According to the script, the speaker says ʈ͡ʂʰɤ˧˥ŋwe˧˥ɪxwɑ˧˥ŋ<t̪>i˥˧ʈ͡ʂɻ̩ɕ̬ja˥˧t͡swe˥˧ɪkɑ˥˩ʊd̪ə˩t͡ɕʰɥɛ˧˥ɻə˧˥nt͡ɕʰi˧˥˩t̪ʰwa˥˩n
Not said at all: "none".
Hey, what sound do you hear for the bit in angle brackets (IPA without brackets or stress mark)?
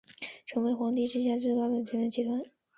t̪